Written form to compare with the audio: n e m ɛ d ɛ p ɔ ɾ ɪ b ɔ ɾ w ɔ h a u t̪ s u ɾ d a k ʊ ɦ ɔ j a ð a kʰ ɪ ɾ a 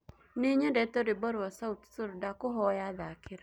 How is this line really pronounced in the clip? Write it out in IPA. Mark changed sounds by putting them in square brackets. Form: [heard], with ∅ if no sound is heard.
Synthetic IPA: n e [ɲ] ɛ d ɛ [t] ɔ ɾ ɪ b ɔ ɾ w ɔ [s] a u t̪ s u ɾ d a k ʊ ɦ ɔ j a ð a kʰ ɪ ɾ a

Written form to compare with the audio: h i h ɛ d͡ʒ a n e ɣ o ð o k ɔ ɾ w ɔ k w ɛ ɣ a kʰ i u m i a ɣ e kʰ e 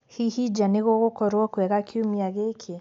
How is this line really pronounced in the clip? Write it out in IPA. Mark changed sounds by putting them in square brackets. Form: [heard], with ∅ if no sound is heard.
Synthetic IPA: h i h [i] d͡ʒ a n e ɣ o [ɣ] o k ɔ ɾ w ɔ k w ɛ ɣ a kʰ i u m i a ɣ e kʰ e

